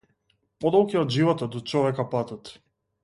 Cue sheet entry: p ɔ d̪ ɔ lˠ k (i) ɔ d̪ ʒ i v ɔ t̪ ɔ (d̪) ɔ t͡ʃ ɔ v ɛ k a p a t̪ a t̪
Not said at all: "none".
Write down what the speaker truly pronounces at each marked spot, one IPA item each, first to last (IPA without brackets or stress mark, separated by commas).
i, d̪